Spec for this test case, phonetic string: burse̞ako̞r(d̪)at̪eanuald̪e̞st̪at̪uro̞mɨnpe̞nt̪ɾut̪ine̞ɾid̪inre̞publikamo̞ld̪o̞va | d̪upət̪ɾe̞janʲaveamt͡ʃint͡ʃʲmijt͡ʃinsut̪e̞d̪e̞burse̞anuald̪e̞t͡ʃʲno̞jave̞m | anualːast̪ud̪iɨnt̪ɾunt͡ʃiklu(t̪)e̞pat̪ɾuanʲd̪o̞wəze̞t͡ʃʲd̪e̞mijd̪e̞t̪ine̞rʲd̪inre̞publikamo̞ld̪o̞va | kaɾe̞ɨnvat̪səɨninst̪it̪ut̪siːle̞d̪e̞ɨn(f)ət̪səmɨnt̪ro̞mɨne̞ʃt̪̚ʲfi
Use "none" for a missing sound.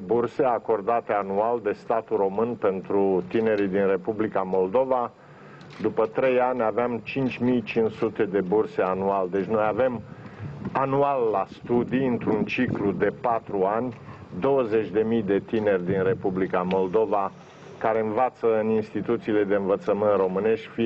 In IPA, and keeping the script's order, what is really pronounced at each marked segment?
d̪, d̪, v

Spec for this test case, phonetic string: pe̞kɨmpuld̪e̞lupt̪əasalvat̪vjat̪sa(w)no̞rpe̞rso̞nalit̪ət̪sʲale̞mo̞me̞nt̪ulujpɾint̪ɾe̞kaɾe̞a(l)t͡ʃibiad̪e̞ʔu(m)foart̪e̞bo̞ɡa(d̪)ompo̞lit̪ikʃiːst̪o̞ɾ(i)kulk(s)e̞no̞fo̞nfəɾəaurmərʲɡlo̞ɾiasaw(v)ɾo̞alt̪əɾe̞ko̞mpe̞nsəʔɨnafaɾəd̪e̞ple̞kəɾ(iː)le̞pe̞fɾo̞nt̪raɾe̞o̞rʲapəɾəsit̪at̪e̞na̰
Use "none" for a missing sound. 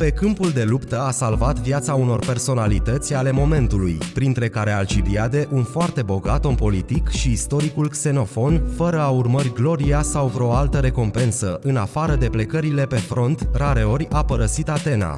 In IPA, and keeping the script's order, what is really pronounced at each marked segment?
u, l, n, t̪, i, s, v, i

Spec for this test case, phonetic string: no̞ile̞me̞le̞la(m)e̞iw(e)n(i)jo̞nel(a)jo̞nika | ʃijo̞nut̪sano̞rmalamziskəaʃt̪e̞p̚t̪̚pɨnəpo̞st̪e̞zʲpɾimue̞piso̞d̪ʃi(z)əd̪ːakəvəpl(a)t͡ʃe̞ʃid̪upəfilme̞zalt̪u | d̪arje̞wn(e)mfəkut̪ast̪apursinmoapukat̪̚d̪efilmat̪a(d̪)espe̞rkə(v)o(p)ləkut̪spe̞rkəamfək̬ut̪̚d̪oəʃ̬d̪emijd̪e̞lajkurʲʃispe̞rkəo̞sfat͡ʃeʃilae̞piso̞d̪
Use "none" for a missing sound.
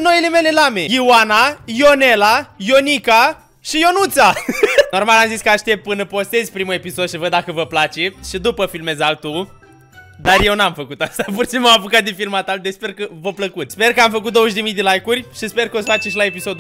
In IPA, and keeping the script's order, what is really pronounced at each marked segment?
m, a, a, a, v, a, a, d̪, v, p

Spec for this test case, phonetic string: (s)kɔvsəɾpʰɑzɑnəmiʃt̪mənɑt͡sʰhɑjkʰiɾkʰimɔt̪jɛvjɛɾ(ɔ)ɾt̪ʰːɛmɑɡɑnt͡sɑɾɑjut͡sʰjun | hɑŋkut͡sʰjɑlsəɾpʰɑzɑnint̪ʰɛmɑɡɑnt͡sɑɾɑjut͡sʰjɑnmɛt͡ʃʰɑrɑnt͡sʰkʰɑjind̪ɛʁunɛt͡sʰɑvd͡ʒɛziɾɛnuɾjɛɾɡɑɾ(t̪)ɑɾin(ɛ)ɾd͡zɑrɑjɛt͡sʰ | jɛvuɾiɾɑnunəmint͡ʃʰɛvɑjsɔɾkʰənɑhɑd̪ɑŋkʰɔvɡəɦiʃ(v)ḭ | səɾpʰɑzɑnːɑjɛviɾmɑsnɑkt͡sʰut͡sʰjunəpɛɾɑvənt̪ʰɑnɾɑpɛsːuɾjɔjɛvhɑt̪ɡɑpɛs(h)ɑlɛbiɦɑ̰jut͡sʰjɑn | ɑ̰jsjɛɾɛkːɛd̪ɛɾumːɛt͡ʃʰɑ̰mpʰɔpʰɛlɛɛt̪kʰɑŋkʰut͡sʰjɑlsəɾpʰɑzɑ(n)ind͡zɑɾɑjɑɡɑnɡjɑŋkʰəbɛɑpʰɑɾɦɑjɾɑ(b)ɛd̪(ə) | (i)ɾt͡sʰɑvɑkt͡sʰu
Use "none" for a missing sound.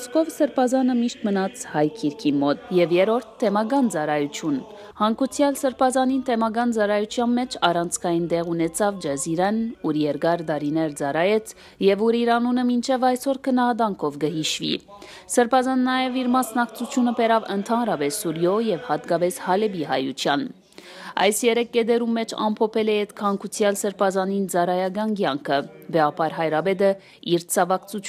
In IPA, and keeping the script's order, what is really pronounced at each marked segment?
s, ɔ, d̪, ɛ, v, h, n, b, ə, i

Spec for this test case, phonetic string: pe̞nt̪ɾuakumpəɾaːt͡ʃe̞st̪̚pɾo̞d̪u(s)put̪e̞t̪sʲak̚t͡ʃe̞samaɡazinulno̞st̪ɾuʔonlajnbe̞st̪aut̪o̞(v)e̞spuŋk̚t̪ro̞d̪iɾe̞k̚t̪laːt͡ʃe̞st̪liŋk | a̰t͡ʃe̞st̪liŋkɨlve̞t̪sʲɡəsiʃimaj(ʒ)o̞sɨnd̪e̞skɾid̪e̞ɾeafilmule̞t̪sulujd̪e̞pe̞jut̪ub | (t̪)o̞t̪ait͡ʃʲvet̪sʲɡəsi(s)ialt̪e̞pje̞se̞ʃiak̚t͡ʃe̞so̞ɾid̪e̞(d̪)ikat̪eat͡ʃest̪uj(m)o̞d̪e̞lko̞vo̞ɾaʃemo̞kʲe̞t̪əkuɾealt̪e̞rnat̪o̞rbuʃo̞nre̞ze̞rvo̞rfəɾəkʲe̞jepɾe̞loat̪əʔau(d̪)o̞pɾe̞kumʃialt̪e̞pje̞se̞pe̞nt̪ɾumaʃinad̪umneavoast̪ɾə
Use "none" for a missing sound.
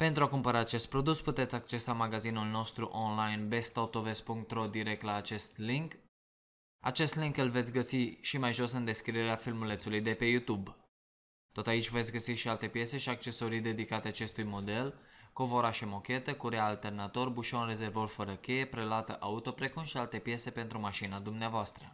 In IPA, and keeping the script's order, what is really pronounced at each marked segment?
s, v, ʒ, t̪, ʃ, d̪, m, t̪

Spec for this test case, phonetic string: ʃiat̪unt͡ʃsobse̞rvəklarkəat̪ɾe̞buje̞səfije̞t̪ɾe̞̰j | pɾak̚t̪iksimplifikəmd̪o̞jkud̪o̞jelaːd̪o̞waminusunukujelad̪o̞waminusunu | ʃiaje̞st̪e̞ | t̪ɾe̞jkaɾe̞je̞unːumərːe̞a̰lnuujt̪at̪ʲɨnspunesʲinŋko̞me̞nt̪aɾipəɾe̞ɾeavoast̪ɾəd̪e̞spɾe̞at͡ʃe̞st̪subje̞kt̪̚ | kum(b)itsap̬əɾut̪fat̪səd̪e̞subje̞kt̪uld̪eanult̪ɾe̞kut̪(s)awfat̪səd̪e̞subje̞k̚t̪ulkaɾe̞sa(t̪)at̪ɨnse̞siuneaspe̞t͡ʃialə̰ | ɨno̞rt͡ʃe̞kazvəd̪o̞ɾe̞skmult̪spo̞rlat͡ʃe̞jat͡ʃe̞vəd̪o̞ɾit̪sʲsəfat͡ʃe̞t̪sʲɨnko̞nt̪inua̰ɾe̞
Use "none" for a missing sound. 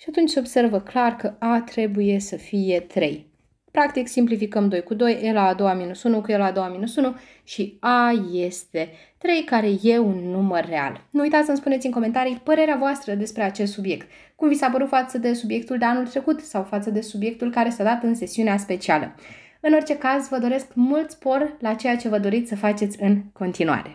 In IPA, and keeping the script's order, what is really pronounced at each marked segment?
v, s, d̪

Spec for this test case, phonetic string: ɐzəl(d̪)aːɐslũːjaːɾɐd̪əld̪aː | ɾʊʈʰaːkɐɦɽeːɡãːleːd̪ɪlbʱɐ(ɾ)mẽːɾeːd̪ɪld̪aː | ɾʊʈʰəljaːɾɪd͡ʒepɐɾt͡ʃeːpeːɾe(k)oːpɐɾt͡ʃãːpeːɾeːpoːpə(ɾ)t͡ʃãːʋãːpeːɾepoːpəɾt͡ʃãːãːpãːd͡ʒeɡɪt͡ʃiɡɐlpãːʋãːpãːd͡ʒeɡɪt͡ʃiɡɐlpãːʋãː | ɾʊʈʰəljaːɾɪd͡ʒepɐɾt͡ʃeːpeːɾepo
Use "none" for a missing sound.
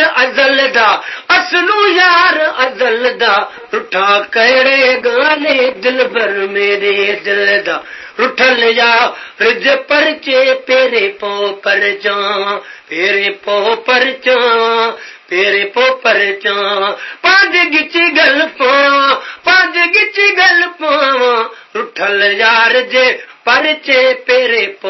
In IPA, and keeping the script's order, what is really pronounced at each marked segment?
d̪, ɾ, p, ɾ

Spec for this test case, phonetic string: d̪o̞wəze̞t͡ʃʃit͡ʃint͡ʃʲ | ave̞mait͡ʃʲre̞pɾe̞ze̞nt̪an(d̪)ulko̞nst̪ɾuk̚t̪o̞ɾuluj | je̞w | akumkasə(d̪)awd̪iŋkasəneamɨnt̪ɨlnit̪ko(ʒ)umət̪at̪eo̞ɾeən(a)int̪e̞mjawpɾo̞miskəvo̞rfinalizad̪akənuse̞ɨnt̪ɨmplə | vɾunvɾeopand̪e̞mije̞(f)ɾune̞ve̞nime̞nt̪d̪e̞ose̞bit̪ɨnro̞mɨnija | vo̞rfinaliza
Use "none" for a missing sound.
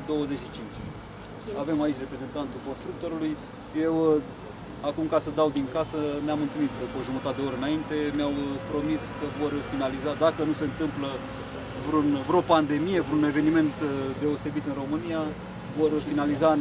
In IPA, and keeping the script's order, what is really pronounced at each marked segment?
t̪, d̪, ʒ, a, v

